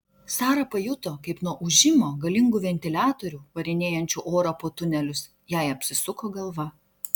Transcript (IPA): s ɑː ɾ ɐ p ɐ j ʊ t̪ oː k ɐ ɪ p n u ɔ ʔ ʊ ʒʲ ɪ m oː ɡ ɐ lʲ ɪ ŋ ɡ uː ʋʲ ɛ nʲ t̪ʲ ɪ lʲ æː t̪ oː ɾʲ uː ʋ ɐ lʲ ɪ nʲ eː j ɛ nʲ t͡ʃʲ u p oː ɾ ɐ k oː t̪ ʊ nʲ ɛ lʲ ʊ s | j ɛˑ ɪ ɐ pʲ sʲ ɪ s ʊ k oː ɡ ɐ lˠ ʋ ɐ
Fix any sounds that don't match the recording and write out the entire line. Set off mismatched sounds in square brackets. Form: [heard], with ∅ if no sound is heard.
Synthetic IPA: s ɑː ɾ ɐ p ɐ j ʊ t̪ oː k ɐ ɪ p n u ɔ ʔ ʊ ʒʲ ɪ m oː ɡ ɐ lʲ ɪ ŋ ɡ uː ʋʲ ɛ nʲ t̪ʲ ɪ lʲ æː t̪ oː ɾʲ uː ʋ ɐ [ɾʲ] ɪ nʲ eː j ɛ nʲ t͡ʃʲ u [ʔ] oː ɾ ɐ [p] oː t̪ ʊ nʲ ɛ lʲ ʊ s | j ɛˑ ɪ ɐ pʲ sʲ ɪ s ʊ k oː ɡ ɐ lˠ ʋ ɐ

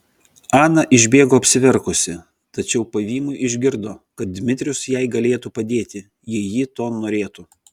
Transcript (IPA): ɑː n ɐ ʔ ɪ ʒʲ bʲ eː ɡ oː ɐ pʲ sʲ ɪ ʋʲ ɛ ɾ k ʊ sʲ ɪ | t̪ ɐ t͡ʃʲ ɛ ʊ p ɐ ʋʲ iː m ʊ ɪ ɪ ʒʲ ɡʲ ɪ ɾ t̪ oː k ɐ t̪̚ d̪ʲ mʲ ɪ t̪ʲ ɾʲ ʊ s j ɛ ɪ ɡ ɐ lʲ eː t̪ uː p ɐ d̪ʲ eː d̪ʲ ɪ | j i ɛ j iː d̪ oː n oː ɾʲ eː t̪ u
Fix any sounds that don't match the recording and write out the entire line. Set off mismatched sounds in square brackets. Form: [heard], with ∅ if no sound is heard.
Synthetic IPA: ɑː n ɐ ʔ ɪ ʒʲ bʲ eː ɡ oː ɐ pʲ sʲ ɪ ʋʲ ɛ ɾ k ʊ sʲ ɪ | t̪ ɐ t͡ʃʲ ɛ ʊ p ɐ ʋʲ iː m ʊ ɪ ɪ ʒʲ ɡʲ ɪ ɾ [d̪] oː k ɐ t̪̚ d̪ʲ mʲ ɪ t̪ʲ ɾʲ ʊ s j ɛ ɪ ɡ ɐ lʲ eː t̪ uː p ɐ d̪ʲ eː [t̪ʲ] ɪ | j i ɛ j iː [t̪] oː n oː ɾʲ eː t̪ u

